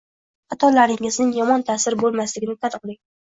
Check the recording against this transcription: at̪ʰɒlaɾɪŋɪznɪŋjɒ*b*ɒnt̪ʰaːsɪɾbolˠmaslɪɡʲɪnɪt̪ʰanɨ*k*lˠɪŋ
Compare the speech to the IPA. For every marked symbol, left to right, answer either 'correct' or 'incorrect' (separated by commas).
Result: incorrect, incorrect